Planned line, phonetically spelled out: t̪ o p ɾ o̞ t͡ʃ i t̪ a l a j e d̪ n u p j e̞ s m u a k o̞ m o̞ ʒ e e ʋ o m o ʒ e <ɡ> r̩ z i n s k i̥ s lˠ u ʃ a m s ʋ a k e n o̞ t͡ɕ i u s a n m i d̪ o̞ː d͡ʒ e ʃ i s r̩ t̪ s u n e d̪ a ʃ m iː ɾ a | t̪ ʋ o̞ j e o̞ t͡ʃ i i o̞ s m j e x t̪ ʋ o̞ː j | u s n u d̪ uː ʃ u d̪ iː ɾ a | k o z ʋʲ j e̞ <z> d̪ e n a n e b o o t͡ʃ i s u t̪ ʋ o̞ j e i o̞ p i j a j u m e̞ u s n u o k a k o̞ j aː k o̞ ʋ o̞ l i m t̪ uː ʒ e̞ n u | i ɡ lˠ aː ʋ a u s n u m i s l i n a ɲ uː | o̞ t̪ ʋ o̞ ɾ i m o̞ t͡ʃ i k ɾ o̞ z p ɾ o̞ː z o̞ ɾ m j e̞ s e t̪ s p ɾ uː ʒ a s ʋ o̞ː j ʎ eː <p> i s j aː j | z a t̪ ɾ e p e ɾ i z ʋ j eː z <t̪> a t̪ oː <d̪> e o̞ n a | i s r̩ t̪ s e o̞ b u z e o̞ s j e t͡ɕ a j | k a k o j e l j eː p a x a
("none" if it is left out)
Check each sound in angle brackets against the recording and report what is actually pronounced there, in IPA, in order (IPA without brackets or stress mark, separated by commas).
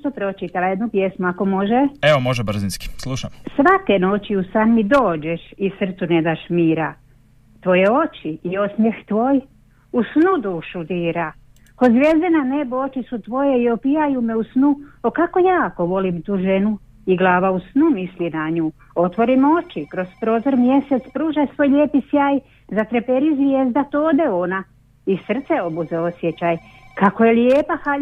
b, z, p, d̪, d̪